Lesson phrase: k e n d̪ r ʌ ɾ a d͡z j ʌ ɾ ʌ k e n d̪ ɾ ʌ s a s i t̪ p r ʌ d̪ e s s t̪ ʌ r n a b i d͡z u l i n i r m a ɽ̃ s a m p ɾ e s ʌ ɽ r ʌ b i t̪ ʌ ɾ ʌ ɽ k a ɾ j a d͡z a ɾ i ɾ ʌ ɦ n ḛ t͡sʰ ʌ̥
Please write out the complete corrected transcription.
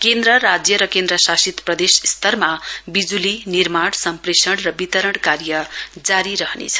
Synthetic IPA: k e n d̪ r ʌ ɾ a d͡z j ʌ ɾ ʌ k e n d̪ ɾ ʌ s a s i t̪ p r ʌ d̪ e s s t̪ ʌ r m a b i d͡z u l i n i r m a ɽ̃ s ʌ m p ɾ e s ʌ ɽ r ʌ b i t̪ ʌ ɾ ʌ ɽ k a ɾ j ʌ d͡z a ɾ i ɾ ʌ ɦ n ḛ t͡sʰ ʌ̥